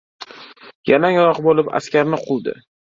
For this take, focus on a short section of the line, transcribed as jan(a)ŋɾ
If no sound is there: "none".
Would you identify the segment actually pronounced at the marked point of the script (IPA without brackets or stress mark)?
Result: a